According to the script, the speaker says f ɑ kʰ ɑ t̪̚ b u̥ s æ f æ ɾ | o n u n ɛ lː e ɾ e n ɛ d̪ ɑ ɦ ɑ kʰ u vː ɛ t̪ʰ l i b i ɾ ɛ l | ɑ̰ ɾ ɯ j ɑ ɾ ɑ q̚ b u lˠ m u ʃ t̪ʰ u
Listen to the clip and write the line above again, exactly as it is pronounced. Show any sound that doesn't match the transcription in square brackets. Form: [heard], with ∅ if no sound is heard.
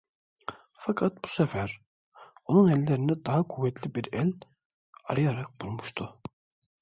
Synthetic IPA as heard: f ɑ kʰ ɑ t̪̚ b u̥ s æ f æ ɾ | o n u n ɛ lː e ɾ [i] n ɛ d̪ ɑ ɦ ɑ kʰ u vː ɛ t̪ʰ l i b i ɾ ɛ l | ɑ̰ ɾ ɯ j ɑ ɾ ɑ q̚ b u lˠ m u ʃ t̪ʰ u